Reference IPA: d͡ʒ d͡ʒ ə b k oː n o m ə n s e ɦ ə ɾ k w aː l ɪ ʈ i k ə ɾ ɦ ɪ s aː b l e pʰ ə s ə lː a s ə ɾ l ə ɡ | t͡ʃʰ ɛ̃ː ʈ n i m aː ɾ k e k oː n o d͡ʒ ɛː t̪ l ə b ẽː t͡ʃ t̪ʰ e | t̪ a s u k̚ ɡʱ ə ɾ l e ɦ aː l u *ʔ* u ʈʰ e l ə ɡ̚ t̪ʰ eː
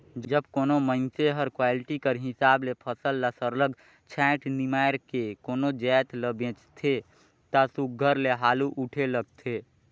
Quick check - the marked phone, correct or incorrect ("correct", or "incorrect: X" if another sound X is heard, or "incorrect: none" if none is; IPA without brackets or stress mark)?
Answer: correct